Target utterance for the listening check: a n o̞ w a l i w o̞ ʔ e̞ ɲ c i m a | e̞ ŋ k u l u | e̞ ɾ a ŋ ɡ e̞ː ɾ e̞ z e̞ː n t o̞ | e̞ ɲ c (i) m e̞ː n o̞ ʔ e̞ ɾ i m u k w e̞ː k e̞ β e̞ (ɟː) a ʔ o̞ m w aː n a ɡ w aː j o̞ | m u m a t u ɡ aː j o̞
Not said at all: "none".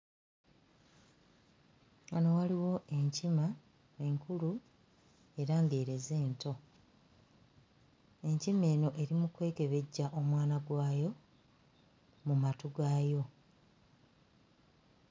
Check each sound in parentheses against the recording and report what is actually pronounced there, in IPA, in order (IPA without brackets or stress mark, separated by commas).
i, ɟː